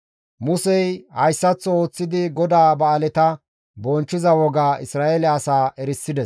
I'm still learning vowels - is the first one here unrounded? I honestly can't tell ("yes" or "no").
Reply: no